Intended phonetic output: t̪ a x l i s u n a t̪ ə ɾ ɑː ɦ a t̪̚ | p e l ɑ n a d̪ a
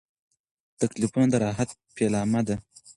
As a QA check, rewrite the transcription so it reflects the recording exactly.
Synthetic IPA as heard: t̪ a k l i f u n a d̪ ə ɾ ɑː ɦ a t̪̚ | p e l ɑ m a d̪ a